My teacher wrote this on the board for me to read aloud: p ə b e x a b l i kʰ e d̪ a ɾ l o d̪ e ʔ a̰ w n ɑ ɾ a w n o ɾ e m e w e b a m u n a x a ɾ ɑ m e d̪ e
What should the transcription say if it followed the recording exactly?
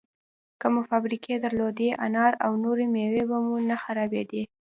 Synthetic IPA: k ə m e f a b ɾ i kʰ e d̪ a ɾ l o d̪ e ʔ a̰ n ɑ ɾ a w n o ɾ e m e w e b a m u n a x a ɾ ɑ b e d̪ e